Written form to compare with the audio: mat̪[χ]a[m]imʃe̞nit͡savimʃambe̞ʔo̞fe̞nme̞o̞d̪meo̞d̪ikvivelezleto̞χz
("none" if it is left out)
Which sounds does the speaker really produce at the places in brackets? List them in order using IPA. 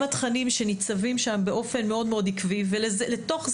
χ, n

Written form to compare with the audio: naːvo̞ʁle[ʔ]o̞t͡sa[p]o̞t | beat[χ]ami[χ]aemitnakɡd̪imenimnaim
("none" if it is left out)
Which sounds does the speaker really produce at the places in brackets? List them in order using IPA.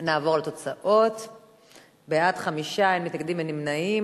t, ʔ, χ, ʃ

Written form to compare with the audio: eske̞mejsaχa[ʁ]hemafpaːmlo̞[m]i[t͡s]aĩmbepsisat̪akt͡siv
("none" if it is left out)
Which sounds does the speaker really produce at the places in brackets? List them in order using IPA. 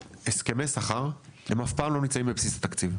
ʁ, n, t͡s

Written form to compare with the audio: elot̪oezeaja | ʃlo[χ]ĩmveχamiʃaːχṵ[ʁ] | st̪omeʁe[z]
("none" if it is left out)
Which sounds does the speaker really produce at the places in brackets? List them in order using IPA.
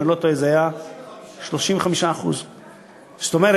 ʃ, z, none

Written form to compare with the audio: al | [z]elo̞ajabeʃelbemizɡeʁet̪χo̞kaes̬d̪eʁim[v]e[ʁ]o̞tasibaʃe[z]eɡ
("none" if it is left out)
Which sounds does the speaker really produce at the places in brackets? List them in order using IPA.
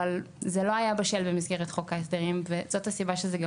z, v, z, z

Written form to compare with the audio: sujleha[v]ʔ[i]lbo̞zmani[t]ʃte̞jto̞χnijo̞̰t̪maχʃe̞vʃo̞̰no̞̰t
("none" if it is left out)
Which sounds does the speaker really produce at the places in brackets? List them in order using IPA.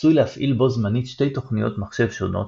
f, i, t

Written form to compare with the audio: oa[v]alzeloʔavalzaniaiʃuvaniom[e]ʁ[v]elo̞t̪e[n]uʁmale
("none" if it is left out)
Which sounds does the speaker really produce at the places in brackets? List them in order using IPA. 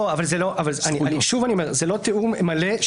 v, e, z, none

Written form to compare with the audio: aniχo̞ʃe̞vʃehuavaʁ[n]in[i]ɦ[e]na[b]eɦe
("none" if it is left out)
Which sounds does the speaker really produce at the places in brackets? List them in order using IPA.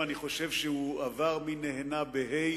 m, e, e, b

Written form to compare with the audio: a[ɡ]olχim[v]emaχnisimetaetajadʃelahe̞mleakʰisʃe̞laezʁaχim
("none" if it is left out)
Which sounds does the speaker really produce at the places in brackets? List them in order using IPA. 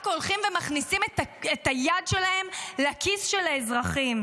k, v

